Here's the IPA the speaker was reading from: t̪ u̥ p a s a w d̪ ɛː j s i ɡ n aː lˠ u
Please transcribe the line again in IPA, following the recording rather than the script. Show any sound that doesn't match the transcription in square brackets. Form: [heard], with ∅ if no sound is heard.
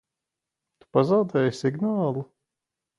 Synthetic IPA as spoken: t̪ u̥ p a [z] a w d̪ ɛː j s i ɡ n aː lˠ u